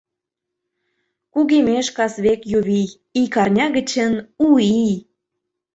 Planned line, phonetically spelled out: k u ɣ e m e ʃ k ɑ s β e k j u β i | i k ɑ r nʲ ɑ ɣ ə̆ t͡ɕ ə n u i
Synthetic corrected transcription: k u ɣ e m e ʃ k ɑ s β e k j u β i | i k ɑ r nʲ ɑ ɣ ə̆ t͡ɕ ə n u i